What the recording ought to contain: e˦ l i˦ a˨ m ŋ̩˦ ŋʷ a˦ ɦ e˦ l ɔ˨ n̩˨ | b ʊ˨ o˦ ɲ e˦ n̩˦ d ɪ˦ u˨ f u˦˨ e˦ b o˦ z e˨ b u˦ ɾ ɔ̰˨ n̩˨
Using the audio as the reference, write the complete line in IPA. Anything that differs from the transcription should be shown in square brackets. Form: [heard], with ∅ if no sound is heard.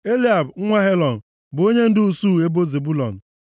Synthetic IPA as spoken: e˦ l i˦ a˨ [b] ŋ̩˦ ŋʷ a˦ ɦ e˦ l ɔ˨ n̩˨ | b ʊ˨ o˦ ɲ e˦ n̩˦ d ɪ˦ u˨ [s] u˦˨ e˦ b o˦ z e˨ b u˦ [l] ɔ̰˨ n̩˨